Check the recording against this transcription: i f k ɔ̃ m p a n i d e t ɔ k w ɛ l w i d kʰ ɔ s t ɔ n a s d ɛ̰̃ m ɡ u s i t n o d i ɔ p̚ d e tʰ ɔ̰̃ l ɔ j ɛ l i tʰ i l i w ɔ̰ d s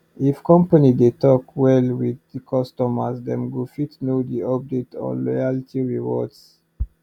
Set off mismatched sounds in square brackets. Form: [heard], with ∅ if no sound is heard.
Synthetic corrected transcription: i f k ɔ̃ m p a n i d e t ɔ k w ɛ l w i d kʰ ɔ s t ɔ [m] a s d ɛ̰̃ m ɡ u [f] i t n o d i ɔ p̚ d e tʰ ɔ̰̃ l ɔ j [a] l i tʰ i [ɹ] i w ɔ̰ d s